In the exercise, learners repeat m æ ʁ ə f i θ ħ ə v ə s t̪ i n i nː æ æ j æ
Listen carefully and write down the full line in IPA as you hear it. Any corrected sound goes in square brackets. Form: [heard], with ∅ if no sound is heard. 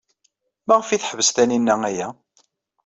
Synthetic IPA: m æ ʁ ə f i θ ħ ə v ə s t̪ [æ] n i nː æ æ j æ

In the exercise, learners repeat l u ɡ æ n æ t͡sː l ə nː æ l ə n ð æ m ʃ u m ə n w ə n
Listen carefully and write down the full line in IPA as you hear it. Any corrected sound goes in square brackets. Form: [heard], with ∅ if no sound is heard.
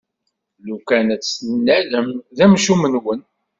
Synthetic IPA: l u [k] æ n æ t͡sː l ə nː æ l ə [m] ð æ m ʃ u m ə n w ə n

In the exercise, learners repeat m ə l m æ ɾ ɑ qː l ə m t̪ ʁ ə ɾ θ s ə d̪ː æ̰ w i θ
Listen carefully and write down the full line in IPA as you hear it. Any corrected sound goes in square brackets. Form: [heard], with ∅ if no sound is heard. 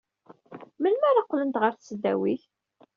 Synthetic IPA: m ə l m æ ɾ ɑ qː l ə [n] t̪ ʁ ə ɾ θ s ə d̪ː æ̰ w i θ

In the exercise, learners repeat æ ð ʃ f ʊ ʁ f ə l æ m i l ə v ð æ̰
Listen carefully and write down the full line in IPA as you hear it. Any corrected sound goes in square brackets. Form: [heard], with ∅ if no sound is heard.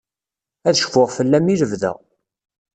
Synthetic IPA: æ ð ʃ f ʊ ʁ f ə [lː] æ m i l ə v ð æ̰

